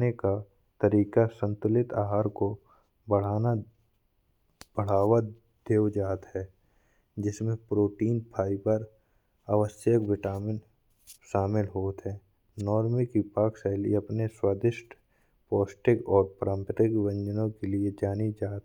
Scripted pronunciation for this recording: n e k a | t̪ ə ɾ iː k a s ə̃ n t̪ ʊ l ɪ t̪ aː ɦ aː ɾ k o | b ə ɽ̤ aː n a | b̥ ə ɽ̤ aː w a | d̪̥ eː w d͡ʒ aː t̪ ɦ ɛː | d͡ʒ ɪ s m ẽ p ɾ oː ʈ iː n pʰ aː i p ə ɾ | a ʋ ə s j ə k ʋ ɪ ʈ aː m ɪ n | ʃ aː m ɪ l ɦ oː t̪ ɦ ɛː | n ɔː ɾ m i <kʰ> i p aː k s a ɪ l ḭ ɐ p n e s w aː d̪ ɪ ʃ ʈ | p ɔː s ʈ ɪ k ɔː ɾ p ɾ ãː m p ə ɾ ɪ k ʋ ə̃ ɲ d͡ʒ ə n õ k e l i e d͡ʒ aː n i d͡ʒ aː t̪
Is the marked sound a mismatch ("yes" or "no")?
yes